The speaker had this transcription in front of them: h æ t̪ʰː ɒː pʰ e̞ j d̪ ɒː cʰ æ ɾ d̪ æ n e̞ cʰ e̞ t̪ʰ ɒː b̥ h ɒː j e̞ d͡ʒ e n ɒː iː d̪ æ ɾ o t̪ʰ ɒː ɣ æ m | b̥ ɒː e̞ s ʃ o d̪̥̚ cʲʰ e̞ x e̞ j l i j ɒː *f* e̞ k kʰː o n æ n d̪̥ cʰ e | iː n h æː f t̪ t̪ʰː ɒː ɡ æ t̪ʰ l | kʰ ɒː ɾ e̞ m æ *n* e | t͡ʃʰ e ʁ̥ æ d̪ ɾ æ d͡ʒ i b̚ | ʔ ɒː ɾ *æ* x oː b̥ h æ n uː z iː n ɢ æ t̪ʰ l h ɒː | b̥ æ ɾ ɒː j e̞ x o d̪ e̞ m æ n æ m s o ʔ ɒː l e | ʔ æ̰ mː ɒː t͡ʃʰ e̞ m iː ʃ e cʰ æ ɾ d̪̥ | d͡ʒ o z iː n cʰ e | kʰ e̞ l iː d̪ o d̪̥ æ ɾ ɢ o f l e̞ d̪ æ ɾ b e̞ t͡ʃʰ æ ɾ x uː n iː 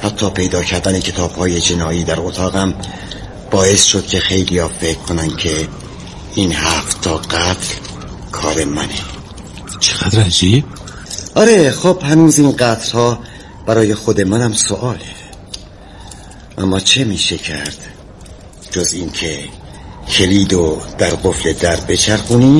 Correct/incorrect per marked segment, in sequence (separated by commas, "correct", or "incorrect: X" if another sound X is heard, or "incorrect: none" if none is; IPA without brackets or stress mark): correct, correct, incorrect: e